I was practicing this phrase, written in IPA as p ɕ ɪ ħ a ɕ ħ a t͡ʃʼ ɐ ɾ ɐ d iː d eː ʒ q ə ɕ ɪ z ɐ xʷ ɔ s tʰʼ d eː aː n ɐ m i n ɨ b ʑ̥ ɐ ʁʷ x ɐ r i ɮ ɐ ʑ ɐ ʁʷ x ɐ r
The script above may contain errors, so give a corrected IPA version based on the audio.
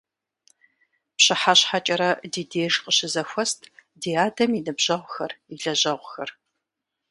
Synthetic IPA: p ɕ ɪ ħ a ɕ ħ a t͡ʃʼ ɐ ɾ ɐ d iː d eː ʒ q ə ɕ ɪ z ɐ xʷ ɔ s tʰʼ d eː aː d ɐ m i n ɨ b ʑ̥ ɐ ʁʷ x ɐ r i ɮ ɐ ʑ ɐ ʁʷ x ɐ r